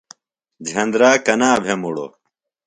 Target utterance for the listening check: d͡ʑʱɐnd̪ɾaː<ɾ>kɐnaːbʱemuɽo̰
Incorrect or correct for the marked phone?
incorrect: none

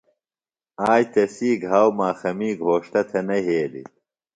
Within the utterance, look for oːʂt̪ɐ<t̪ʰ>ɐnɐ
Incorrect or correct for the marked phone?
correct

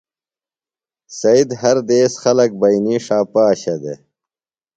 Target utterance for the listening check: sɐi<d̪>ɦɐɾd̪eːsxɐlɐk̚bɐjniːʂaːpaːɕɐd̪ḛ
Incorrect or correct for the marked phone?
correct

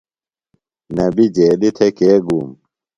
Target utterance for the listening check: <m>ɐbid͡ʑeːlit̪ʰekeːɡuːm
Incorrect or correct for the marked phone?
incorrect: n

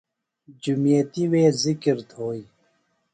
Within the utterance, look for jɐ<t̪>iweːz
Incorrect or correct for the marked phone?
correct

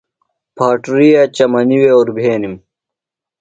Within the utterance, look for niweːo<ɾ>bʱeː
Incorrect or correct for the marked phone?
correct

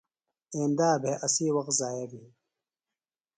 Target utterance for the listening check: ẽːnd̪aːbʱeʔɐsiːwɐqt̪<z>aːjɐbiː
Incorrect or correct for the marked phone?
correct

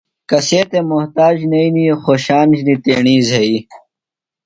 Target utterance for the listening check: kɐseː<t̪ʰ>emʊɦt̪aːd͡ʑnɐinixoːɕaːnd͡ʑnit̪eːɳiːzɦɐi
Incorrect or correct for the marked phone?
incorrect: t̪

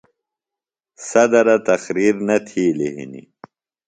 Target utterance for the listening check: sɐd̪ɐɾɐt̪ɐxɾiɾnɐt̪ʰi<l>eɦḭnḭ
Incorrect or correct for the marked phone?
correct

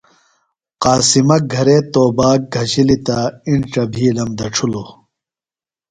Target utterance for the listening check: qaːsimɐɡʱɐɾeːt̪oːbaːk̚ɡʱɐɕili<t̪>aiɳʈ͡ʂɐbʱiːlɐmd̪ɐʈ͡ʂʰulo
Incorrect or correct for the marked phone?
correct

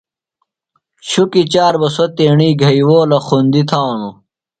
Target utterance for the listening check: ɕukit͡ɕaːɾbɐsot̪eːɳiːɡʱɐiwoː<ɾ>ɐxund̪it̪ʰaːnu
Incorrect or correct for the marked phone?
incorrect: l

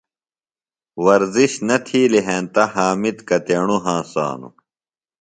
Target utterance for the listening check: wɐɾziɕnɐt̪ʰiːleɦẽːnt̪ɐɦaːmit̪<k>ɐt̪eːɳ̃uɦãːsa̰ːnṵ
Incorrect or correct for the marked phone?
correct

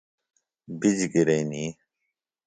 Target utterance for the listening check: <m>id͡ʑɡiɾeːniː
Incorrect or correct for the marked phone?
incorrect: b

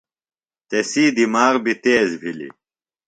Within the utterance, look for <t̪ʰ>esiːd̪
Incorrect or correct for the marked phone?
incorrect: t̪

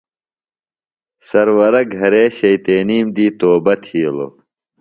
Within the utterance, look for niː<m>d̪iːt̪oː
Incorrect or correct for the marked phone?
correct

